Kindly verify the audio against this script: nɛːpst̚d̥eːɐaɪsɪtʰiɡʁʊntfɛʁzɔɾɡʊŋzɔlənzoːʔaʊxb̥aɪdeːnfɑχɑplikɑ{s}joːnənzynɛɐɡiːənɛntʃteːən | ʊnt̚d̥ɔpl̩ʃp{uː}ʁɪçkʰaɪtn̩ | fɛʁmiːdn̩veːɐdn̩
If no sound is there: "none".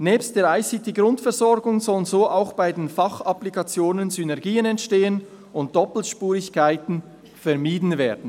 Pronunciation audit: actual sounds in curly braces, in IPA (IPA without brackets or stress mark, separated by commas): t͡s, uː